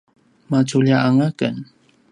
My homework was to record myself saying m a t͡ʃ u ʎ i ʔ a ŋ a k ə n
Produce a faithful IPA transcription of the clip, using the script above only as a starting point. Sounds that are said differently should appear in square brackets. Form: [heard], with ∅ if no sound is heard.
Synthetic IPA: m a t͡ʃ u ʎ [a] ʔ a ŋ a k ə n

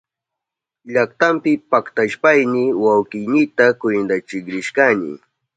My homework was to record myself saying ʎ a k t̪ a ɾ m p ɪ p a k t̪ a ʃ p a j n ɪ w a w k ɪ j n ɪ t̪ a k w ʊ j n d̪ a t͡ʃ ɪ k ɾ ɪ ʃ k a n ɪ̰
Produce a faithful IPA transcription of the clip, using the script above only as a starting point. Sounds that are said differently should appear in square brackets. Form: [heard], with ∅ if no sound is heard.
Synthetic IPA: ʎ a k t̪ a [∅] m p ɪ p a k t̪ a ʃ p a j n ɪ w a w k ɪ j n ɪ t̪ a k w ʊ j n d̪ a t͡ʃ ɪ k ɾ ɪ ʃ k a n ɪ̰

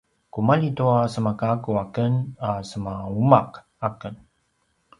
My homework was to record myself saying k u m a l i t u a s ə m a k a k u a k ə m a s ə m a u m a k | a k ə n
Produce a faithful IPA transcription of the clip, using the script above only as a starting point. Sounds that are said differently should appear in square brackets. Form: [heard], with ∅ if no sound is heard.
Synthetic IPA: k u m a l i t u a s ə m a k a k u a k ə [n] a s ə m a u m a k | a k ə n

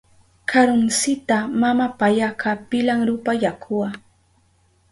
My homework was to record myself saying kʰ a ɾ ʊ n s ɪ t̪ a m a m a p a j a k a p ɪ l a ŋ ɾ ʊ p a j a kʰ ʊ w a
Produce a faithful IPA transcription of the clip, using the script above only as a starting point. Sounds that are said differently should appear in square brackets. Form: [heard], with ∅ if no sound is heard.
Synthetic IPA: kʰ a ɾ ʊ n s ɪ t̪ a m a m a p a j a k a p ɪ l a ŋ ɾ ʊ p a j a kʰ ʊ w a

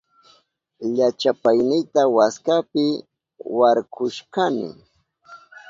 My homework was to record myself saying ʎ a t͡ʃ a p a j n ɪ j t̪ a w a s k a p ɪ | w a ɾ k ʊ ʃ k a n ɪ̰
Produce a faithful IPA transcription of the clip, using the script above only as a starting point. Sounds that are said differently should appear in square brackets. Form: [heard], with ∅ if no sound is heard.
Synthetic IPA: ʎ a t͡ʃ a p a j n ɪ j t̪ a w a s k a p ɪ | w a ɾ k ʊ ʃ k a n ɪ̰

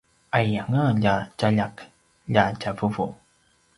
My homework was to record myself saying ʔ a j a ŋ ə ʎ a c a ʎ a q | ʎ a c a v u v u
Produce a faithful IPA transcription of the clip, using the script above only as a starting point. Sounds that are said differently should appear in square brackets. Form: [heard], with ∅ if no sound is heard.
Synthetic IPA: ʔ a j a ŋ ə ʎ a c a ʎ a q | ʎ a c a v u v u

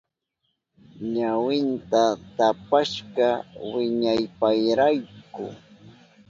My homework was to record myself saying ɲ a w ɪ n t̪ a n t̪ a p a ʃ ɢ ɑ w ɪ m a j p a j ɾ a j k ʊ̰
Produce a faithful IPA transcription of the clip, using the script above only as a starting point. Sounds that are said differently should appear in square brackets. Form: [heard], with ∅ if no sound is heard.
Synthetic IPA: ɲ a w ɪ n t̪ a [∅] t̪ a p a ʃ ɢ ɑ w ɪ [ɲ] a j p a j ɾ a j k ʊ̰

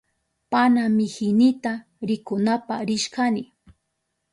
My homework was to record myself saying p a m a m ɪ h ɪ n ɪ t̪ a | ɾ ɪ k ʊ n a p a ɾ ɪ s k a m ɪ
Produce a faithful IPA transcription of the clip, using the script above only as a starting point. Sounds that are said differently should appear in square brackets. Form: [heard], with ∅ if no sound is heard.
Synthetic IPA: p a [n] a m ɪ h ɪ n ɪ t̪ a | ɾ ɪ k ʊ n a p a ɾ ɪ [ʃ] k a [n] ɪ

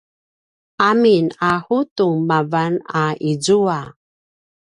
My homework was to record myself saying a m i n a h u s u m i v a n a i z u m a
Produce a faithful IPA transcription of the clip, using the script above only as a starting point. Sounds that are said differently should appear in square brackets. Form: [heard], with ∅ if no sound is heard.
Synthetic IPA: a m i n a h u [t] u m [a] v a n a i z u [∅] a

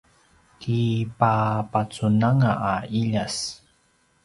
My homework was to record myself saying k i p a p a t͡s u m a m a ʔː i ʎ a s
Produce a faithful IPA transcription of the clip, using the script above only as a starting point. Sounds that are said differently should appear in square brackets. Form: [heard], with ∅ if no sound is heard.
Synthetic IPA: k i p a p a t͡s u [n] a [ŋ] a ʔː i ʎ a s

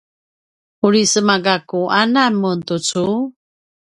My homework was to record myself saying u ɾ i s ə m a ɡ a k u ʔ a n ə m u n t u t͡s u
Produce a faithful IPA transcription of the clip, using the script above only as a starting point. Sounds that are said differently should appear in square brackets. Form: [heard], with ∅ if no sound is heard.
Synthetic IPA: u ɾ i s ə m a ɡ a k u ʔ a n [a] m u n t u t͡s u

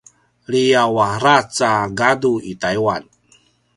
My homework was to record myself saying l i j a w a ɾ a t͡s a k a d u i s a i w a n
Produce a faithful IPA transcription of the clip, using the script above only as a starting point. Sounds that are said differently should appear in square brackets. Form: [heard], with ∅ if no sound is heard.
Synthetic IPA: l i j a w a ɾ a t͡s a [ɡ] a d u i [t] a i w a n

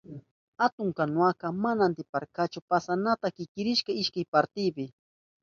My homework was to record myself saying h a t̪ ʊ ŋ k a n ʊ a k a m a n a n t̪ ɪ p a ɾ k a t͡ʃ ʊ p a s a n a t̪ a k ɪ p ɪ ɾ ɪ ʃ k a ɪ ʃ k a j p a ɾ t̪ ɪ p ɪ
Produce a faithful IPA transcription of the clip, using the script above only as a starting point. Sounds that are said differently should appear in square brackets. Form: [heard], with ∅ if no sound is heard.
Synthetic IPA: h a t̪ ʊ ŋ k a n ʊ a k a m a n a n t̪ ɪ p a ɾ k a t͡ʃ ʊ p a s a n a t̪ a k ɪ [k] ɪ ɾ ɪ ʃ k a ɪ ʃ k a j p a ɾ t̪ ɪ p ɪ

